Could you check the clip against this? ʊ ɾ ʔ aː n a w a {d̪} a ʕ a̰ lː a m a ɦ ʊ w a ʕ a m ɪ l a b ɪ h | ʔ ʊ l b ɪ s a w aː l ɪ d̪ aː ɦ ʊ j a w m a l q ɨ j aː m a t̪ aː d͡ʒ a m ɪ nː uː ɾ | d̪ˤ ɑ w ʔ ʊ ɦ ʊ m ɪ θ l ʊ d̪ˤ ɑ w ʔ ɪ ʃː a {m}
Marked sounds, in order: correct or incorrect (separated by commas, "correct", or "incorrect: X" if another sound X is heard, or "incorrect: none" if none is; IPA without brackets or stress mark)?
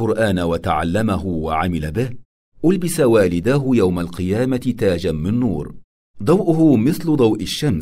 incorrect: t̪, correct